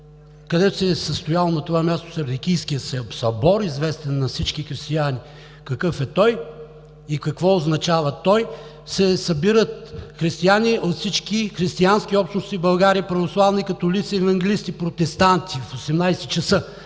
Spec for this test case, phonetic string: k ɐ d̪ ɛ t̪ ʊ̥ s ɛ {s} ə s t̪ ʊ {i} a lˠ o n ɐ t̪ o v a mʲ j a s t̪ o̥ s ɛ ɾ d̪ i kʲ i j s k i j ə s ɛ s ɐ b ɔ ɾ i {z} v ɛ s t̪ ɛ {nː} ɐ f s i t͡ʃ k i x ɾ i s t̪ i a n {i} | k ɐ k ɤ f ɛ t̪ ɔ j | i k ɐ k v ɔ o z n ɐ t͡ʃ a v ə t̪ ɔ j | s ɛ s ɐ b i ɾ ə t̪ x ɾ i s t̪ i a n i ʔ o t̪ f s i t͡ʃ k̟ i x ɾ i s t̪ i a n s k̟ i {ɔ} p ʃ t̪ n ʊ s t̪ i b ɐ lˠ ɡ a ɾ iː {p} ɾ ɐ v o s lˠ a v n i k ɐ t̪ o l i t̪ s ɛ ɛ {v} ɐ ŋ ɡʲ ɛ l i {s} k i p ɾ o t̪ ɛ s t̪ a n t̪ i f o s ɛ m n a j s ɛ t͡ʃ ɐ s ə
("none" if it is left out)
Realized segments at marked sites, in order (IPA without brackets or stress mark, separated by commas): s, j, z, nː, i, ɔ, p, v, s